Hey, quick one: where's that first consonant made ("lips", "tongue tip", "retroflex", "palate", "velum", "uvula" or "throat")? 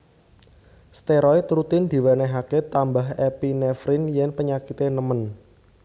tongue tip